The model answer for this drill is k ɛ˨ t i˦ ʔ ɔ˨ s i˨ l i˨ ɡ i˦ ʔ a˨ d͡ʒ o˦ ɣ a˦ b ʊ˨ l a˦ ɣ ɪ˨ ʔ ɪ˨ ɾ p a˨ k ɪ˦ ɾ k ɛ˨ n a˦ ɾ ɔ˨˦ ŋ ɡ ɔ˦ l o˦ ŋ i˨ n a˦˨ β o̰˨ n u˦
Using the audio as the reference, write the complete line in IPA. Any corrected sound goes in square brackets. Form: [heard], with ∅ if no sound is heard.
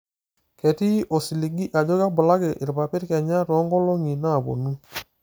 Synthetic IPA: k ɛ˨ t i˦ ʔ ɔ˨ s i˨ l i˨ ɡ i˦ ʔ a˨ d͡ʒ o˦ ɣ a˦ b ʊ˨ l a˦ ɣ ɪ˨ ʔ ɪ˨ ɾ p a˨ [p] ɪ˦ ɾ k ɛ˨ [ɲ] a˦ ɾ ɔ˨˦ ŋ ɡ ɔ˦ l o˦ ŋ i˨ n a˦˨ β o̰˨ n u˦